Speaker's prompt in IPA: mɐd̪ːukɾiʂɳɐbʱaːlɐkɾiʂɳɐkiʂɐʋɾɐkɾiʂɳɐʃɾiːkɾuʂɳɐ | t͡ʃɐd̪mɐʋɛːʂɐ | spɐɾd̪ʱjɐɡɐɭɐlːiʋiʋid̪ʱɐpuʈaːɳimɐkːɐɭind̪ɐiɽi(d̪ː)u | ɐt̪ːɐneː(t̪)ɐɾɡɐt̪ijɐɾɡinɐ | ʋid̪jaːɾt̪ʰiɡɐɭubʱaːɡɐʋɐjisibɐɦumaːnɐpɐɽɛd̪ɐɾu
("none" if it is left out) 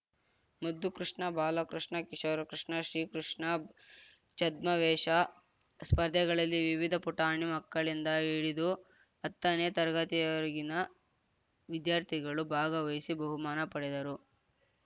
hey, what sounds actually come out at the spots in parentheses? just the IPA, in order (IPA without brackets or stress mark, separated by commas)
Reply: d̪, t̪